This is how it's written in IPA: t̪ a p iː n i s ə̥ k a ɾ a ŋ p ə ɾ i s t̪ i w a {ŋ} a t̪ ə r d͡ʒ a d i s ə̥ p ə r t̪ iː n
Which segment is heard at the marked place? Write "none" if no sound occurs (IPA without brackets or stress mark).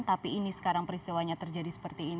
ɲ